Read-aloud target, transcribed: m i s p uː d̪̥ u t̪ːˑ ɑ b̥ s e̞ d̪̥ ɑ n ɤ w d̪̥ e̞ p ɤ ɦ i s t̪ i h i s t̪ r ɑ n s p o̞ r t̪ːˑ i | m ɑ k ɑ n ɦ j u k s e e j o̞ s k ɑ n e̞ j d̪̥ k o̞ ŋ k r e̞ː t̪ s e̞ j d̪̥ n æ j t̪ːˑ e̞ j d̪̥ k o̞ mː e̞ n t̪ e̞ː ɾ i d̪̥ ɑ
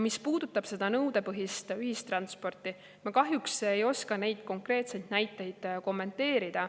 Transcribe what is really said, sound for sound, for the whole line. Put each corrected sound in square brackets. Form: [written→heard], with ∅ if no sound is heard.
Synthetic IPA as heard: m i s p uː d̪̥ u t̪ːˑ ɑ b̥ s e̞ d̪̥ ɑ n ɤ w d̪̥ e̞ p ɤ ɦ i s t̪ [i→y] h i s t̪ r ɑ n s p o̞ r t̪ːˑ i | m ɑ k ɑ [n→∅] ɦ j u k s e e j o̞ s k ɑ n e̞ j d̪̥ k o̞ ŋ k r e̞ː t̪ s e̞ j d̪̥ n æ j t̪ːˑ e̞ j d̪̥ k o̞ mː e̞ n t̪ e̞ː ɾ i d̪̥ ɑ